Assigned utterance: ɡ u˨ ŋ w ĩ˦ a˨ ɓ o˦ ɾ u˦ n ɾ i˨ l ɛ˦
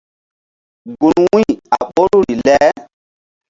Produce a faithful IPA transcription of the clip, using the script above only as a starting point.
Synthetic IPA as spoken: ɡ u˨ n w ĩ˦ a˨ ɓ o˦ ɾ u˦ ɾ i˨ l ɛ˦